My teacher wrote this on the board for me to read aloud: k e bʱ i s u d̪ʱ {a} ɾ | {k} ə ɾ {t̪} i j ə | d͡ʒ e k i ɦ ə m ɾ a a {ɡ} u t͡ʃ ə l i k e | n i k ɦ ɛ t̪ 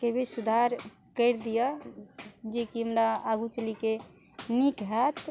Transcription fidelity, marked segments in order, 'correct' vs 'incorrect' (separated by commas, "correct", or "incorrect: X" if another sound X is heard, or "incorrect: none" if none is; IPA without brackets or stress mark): correct, correct, incorrect: d̪, correct